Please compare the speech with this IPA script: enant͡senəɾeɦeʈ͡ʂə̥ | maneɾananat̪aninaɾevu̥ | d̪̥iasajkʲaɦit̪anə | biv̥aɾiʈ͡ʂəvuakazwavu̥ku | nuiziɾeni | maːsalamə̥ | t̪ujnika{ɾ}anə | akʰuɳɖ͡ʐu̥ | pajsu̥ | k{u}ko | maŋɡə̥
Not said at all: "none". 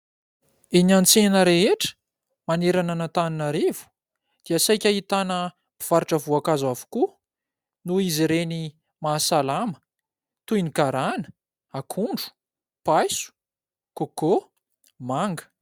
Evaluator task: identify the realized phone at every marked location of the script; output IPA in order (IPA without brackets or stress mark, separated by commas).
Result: ɾ, o